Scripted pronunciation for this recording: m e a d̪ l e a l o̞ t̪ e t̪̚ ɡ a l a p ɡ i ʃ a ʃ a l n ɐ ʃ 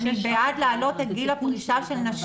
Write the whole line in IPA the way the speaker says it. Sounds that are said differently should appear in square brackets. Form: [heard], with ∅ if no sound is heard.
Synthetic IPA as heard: [b] e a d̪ l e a l o̞ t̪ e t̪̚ ɡ [i] l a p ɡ i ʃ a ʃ [e] l n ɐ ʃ